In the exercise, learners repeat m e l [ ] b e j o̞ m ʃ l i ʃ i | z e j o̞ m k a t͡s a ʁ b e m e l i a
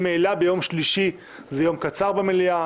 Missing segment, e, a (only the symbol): a